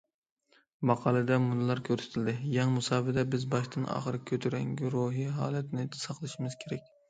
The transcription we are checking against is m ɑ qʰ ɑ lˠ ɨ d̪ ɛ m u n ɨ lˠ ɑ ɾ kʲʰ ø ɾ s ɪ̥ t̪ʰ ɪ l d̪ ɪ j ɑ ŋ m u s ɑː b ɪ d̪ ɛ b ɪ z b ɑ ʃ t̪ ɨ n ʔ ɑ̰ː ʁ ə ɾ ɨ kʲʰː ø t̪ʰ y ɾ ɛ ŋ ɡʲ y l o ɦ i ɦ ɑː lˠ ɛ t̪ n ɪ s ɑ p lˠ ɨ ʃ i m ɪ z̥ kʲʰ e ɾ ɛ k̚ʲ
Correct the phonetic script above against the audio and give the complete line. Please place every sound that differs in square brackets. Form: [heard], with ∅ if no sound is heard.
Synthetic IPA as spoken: m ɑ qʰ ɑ lˠ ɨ d̪ ɛ m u n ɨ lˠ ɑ ɾ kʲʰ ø ɾ s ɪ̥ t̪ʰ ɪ l d̪ ɪ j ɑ ŋ m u s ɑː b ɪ d̪ ɛ b ɪ z b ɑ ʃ t̪ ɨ n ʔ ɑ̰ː [χ] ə ɾ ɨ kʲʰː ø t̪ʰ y ɾ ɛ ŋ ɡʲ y [ɾ] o ɦ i ɦ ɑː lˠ ɛ t̪ n ɪ s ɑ [q] lˠ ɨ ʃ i m ɪ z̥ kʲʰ e ɾ ɛ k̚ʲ